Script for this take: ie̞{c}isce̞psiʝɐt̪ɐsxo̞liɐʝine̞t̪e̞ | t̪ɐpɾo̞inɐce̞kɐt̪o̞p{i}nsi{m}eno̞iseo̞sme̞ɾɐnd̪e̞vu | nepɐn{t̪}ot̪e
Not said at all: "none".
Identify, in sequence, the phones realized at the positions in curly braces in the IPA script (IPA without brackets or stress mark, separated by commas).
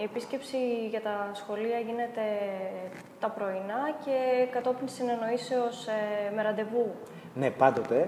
p, i, n, d̪